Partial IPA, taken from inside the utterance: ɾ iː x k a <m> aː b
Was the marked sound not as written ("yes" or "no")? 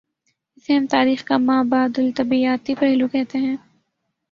no